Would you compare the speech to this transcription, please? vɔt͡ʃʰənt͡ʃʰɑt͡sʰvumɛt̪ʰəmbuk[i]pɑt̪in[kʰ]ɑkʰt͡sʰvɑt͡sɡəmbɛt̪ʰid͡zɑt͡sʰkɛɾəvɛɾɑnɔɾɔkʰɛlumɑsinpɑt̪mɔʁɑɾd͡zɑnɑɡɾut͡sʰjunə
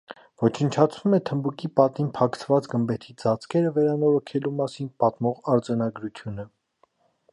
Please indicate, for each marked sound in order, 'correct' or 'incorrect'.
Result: correct, incorrect: pʰ

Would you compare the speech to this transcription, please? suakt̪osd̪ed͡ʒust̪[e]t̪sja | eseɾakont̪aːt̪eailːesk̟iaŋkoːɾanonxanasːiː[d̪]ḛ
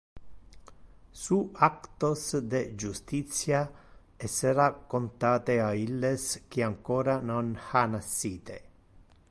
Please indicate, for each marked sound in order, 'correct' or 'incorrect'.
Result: incorrect: i, incorrect: t̪

